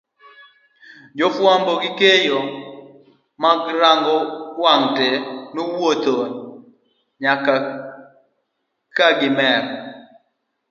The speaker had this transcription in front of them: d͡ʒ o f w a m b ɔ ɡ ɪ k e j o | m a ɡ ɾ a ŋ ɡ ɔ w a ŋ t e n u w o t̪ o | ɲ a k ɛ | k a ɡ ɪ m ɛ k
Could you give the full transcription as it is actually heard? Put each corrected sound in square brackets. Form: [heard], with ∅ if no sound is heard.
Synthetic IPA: d͡ʒ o f w a m b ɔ ɡ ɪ k e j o | m a ɡ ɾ a ŋ ɡ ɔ w a ŋ t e n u w o t̪ o | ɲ a k [a] | k a ɡ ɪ m ɛ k